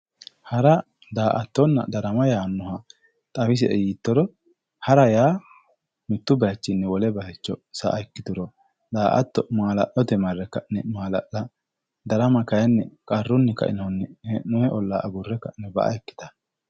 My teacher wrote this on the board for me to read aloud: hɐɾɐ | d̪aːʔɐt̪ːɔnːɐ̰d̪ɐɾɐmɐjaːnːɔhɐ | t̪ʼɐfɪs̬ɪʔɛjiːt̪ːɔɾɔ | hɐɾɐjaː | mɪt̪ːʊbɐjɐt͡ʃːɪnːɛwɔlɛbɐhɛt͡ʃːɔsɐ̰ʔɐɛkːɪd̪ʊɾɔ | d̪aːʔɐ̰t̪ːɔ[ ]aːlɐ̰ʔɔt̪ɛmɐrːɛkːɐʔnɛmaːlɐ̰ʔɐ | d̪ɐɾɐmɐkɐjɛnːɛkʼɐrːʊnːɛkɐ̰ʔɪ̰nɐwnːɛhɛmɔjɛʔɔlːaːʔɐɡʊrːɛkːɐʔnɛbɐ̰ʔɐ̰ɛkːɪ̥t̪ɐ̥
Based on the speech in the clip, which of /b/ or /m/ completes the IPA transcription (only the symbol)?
m